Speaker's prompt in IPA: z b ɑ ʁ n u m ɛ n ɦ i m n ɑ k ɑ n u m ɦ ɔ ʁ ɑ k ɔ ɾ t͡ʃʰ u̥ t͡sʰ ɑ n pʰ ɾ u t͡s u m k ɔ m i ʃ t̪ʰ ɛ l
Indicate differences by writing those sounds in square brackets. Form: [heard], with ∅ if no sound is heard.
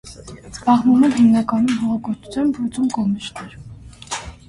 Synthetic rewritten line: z b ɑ ʁ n u m ɛ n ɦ i m n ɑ k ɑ n u m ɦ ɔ ʁ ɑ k ɔ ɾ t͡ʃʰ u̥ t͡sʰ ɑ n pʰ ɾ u t͡s u m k ɔ m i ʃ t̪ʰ ɛ [ɾ]